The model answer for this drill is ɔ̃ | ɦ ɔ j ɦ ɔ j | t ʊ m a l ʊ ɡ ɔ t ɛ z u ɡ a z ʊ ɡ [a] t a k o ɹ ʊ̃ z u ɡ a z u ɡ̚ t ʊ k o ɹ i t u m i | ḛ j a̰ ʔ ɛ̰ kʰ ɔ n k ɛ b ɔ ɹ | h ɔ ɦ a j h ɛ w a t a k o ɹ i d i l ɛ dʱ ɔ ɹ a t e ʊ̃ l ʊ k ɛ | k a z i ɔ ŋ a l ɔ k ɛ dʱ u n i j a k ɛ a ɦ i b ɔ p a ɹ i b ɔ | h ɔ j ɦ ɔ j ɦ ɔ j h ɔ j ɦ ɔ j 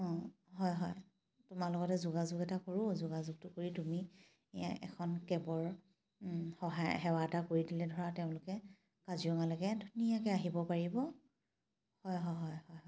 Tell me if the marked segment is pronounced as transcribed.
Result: no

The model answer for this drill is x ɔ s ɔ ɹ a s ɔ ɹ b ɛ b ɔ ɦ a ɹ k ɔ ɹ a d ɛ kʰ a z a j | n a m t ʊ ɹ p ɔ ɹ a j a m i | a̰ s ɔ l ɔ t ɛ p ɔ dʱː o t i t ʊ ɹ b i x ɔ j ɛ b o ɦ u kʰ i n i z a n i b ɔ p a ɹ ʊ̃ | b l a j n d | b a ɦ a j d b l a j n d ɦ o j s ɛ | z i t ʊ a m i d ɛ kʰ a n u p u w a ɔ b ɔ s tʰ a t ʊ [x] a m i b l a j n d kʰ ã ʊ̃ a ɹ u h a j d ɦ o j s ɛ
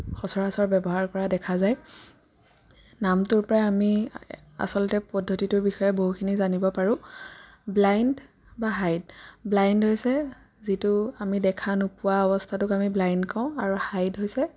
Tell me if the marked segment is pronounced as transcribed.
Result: no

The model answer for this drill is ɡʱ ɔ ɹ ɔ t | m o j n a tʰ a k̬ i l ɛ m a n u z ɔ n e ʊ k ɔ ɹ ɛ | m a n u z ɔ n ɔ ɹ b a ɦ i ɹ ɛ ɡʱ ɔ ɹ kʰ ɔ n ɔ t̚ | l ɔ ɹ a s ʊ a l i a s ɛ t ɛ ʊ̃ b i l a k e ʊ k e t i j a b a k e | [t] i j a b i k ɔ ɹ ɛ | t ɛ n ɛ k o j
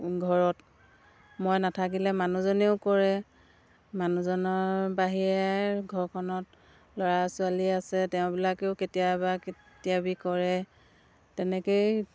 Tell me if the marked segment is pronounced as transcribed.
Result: yes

